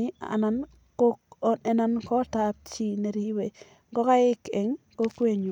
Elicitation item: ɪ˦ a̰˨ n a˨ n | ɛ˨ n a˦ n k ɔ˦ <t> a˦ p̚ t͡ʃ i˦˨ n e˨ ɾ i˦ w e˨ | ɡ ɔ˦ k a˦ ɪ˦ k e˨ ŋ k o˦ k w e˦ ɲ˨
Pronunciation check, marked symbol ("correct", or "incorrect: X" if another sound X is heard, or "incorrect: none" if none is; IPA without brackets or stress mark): correct